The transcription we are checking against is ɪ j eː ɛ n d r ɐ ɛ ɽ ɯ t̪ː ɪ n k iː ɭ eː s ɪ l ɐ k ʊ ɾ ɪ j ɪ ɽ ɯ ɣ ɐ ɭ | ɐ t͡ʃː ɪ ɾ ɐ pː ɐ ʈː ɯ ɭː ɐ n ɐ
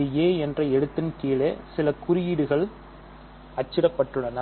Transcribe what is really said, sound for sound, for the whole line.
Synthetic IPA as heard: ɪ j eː ɛ n d r ɐ ɛ ɽ ɯ t̪ː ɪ n k iː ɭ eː s ɪ l ɐ k ʊ ɾ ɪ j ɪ ɽ ɯ ɣ ɐ ɭ | ɐ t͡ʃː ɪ ɾ ɐ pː ɐ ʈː ɯ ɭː ɐ n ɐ